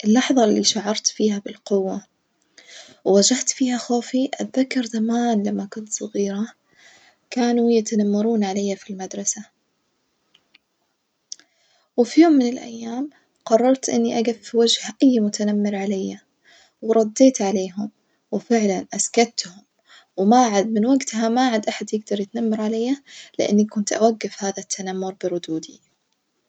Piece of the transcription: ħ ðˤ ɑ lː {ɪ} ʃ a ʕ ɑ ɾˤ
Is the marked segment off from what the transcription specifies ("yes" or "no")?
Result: yes